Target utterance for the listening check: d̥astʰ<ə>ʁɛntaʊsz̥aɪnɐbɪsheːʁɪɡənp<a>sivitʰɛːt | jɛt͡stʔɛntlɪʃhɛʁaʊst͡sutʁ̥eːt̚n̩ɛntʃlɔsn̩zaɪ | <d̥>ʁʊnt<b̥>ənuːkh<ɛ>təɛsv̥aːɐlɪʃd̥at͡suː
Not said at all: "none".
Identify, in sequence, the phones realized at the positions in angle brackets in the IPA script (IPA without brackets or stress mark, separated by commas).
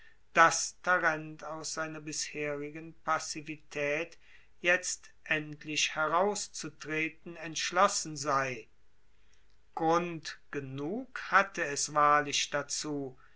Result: a, a, ɡ̥, ɡ̥, a